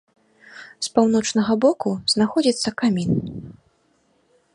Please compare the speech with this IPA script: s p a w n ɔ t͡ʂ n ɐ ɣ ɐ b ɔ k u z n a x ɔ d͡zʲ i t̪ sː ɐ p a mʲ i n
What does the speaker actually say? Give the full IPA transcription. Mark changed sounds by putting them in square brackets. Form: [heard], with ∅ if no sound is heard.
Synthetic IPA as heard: s p a w n ɔ t͡ʂ n ɐ ɣ ɐ b ɔ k u z n a x ɔ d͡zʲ i t̪ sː ɐ [k] a mʲ i n